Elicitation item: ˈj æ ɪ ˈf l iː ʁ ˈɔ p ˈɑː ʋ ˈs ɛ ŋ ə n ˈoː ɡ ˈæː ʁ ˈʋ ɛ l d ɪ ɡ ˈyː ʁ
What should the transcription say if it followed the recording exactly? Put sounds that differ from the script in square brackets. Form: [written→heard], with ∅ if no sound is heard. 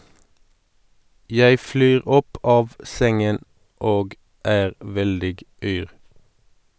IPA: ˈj æ ɪ ˈf l [iː→yː] ʁ ˈɔ p ˈɑː ʋ ˈs ɛ ŋ ə n ˈoː ɡ ˈæː ʁ ˈʋ ɛ l d ɪ ɡ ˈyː ʁ